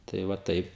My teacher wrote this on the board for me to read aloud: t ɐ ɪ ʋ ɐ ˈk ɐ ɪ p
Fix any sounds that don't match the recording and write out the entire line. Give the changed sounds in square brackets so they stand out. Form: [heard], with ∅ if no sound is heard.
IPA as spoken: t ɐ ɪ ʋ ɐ [ˈt] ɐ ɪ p